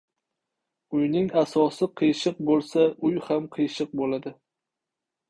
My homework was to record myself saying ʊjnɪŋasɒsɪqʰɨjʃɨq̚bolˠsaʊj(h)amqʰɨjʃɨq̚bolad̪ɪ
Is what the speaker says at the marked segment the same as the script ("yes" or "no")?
yes